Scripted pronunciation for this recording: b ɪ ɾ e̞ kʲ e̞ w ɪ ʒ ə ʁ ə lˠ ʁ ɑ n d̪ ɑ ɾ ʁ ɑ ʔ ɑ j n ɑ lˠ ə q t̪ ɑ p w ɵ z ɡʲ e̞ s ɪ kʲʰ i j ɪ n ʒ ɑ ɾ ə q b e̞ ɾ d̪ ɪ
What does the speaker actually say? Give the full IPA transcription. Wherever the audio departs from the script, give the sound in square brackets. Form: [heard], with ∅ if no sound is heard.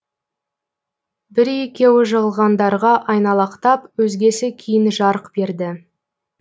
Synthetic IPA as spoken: b ɪ ɾ e̞ kʲ e̞ w ɪ ʒ ə ʁ ə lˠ ʁ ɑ n d̪ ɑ ɾ ʁ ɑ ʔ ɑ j n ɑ lˠ [ɑ] q t̪ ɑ p w ɵ z ɡʲ e̞ s ɪ kʲʰ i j ɪ n ʒ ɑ ɾ ə q b e̞ ɾ d̪ ɪ

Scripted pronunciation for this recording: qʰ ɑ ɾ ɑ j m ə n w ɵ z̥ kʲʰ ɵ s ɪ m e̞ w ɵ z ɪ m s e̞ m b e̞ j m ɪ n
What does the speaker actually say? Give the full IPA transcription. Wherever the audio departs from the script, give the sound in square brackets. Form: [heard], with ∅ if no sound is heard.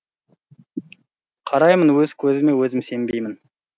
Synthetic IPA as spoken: qʰ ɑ ɾ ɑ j m ə n w ɵ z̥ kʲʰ ɵ [z] ɪ m e̞ w ɵ z ɪ m s e̞ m b e̞ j m ɪ n

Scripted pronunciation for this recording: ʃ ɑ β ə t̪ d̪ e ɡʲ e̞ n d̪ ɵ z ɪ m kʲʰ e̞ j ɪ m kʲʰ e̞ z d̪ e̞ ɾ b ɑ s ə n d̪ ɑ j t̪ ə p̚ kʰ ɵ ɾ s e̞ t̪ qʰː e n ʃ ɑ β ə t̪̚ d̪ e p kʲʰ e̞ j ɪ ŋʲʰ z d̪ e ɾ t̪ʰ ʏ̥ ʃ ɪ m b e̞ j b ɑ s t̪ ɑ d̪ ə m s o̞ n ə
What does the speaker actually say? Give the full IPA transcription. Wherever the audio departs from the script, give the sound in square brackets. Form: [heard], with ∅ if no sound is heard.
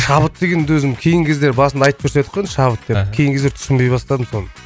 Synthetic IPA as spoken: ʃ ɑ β ə t̪ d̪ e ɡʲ e̞ n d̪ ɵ z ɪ m kʲʰ e̞ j ɪ [ŋ] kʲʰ e̞ z d̪ e̞ ɾ b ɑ s ə n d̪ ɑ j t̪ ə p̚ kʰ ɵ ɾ s e̞ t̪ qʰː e n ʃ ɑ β ə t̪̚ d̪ e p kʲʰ e̞ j ɪ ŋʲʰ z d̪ e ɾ t̪ʰ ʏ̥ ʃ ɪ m b e̞ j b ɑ s t̪ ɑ d̪ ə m s o̞ n ə

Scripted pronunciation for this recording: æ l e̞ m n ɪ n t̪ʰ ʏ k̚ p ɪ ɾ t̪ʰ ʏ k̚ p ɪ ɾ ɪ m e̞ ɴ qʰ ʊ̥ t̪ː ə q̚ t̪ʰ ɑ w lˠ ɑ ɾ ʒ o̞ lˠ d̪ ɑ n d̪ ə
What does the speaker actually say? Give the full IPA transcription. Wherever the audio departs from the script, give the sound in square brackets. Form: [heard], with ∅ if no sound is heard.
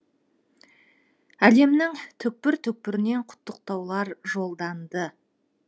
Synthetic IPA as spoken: æ l e̞ m n ɪ [ŋ] t̪ʰ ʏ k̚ p ɪ ɾ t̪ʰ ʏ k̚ p ɪ ɾ ɪ [n] e̞ ɴ qʰ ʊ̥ t̪ː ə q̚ [t̪] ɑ w lˠ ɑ ɾ ʒ o̞ lˠ d̪ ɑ n d̪ ə

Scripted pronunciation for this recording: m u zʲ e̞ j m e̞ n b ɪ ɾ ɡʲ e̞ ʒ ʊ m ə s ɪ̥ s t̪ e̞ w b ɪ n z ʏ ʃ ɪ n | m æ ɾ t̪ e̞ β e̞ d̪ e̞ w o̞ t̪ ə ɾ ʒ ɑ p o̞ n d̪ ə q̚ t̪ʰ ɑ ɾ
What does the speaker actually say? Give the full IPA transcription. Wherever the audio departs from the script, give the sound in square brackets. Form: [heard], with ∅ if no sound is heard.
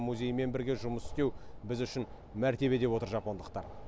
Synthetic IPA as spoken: m u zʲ e̞ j m e̞ n b ɪ ɾ ɡʲ e̞ ʒ ʊ m ə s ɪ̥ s t̪ e̞ w b ɪ [∅] z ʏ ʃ ɪ n | m æ ɾ t̪ e̞ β e̞ d̪ e̞ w o̞ t̪ ə ɾ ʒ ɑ p o̞ n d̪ ə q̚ [t̪] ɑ ɾ

